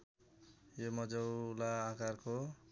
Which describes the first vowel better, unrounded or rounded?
rounded